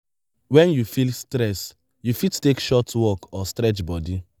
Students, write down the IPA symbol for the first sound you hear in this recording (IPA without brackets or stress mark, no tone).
w